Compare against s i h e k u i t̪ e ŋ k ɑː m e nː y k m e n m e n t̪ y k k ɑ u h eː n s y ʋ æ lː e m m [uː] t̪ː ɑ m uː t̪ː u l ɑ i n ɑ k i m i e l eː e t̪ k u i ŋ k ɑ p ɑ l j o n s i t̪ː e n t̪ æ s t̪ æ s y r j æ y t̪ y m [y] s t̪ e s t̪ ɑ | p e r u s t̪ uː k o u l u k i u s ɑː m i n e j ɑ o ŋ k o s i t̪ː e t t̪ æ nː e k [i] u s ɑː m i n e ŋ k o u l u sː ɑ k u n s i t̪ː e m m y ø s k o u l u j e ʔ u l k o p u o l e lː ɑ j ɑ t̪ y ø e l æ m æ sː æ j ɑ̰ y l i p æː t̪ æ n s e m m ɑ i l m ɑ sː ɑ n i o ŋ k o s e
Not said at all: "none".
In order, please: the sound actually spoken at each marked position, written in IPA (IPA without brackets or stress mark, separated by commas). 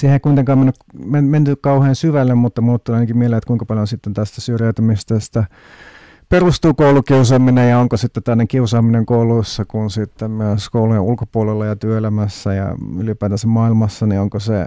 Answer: u, i, i